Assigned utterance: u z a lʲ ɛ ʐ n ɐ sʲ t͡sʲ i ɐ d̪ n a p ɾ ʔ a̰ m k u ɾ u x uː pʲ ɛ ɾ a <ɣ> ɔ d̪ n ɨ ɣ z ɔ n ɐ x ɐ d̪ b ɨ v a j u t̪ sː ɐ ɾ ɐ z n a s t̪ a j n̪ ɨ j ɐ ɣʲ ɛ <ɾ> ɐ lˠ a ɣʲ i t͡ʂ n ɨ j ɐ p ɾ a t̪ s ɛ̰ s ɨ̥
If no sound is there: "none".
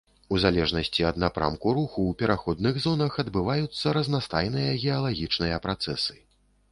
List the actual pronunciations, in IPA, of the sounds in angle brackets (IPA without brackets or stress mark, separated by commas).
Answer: x, none